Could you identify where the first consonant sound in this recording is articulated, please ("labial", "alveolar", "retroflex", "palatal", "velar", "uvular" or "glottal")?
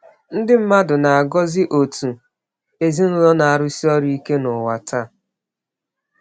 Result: alveolar